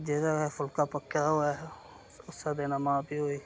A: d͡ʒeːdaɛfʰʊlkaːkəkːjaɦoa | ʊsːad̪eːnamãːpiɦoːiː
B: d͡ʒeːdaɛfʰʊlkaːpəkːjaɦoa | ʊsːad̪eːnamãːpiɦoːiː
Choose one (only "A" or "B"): B